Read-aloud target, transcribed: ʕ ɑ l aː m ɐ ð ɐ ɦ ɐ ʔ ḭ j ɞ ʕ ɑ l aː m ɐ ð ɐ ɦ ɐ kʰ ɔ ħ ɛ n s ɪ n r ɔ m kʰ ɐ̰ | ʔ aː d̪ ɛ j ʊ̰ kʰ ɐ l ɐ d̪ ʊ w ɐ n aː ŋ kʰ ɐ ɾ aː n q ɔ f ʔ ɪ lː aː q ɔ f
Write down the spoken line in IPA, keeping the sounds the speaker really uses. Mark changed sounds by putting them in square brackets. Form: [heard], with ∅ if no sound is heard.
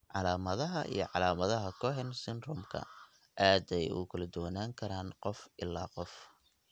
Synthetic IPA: ʕ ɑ l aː m ɐ ð ɐ ɦ ɐ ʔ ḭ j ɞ ʕ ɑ l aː m ɐ ð ɐ ɦ ɐ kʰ ɔ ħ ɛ n s ɪ n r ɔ m kʰ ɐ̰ | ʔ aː d̪ ɛ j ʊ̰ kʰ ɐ l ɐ d̪ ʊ w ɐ n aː ŋ kʰ ɐ ɾ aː n q ɔ f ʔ ɪ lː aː q ɔ f